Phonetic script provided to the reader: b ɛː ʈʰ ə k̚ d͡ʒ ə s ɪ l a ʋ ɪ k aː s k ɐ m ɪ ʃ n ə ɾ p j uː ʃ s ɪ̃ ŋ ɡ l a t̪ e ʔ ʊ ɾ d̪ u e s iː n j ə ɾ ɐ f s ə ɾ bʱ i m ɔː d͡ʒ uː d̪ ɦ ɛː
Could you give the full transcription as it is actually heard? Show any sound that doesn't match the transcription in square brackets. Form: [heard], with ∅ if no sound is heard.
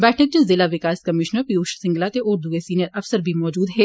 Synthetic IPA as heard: b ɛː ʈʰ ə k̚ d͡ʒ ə [z] ɪ l a ʋ ɪ k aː s k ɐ m ɪ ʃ n ə ɾ p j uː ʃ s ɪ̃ ŋ ɡ l a t̪ e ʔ ʊ ɾ d̪ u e s iː n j ə ɾ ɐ f s ə ɾ bʱ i m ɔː d͡ʒ uː d̪ ɦ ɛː